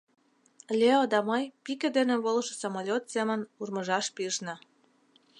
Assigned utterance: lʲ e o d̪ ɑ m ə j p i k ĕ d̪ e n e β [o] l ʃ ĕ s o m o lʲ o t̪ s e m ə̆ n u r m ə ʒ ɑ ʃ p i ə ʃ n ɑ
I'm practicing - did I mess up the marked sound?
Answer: no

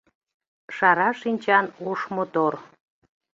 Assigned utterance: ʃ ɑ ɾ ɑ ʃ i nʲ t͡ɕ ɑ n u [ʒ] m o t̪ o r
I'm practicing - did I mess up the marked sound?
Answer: yes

